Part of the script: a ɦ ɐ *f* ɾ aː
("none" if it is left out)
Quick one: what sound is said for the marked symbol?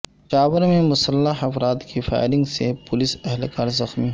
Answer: f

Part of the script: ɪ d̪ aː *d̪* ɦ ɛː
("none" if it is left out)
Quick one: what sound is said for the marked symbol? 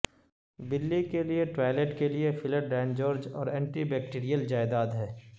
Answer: d̪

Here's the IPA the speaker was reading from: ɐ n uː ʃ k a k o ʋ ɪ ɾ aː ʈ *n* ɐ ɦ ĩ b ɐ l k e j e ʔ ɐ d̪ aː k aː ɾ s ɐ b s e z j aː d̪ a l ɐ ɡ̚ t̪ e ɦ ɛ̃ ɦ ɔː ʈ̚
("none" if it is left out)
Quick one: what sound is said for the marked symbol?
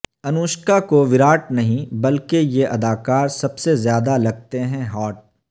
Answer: n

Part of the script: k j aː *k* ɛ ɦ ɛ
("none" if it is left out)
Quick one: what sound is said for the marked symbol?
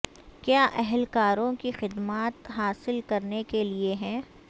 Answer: ʔ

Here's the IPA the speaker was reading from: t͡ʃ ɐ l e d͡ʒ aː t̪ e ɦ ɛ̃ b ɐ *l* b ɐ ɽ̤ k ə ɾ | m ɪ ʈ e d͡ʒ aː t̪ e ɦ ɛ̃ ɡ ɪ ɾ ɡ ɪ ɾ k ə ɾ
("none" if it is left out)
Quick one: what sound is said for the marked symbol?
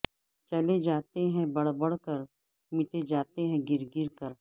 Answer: ɽ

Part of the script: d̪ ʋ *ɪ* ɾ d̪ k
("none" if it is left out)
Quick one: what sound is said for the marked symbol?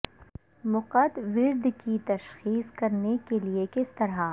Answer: ɪ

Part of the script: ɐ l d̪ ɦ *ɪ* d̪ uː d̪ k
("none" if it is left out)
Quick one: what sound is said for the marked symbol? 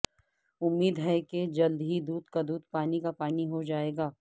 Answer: i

